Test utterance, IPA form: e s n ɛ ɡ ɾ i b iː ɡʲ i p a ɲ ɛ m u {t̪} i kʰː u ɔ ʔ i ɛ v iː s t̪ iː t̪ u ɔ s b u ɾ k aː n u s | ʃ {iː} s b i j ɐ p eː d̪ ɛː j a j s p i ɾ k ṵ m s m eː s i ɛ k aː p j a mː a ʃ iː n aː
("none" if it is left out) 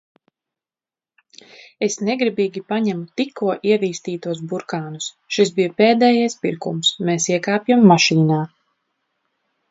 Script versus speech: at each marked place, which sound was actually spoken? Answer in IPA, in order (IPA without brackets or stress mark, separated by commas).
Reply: t̪, i